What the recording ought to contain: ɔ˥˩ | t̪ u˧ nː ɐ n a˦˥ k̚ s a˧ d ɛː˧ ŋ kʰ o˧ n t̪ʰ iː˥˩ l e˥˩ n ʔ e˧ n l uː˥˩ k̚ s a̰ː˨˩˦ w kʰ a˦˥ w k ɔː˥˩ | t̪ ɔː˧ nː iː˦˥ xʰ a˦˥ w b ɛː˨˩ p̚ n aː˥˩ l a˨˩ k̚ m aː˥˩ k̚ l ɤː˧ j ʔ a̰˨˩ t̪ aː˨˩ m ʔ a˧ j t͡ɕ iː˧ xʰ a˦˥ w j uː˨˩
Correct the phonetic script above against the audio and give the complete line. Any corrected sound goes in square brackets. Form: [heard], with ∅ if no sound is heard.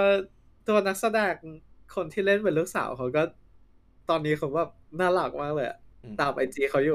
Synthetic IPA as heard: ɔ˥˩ | t̪ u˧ [∅] ɐ n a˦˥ k̚ s a˧ d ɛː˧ ŋ kʰ o˧ n t̪ʰ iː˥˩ l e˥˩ n [p] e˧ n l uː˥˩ k̚ s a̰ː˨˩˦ w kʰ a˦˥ w k ɔː˥˩ | t̪ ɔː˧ nː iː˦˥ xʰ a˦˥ w b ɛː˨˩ p̚ n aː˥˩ l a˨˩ k̚ m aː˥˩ k̚ l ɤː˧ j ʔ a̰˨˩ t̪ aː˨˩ m ʔ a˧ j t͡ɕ iː˧ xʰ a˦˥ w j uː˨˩